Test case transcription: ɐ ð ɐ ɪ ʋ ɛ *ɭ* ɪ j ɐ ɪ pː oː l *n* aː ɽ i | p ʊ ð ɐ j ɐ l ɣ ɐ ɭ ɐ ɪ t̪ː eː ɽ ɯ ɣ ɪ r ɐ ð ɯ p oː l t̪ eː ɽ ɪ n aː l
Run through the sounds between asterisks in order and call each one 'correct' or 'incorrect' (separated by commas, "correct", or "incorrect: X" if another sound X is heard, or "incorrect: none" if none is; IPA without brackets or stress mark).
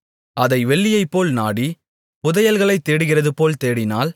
incorrect: ɭː, correct